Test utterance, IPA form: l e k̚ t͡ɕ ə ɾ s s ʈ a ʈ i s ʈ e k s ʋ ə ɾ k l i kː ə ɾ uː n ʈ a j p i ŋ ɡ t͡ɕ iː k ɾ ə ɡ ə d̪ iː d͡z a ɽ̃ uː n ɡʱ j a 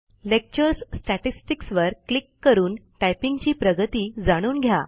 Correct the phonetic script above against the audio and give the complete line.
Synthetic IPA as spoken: l e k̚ t͡ɕ ə ɾ s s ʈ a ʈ i s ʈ i k s ʋ ə ɾ k l i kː ə ɾ uː n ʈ a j p i ŋ ɡ t͡ɕ iː p ɾ ə ɡ ə t̪ iː d͡z a ɽ̃ uː n ɡʱ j a